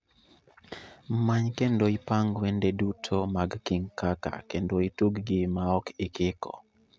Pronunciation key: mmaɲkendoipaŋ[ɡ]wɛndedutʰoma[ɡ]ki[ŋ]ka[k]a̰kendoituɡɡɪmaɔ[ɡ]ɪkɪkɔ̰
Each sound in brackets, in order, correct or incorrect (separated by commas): correct, correct, correct, correct, incorrect